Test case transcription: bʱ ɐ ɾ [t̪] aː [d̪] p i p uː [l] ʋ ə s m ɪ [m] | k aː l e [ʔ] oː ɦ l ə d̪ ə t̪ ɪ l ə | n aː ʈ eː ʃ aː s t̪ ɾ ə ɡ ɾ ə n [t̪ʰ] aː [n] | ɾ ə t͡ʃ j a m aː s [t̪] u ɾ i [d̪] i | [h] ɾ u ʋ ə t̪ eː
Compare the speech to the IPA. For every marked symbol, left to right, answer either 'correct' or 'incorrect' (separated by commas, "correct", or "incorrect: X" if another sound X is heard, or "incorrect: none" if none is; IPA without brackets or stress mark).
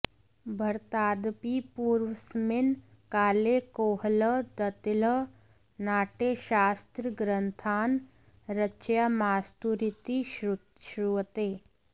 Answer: correct, correct, incorrect: ɾ, incorrect: n, incorrect: k, correct, correct, correct, incorrect: t̪, incorrect: ʃ